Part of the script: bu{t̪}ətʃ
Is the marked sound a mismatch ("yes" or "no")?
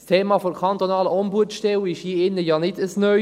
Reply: yes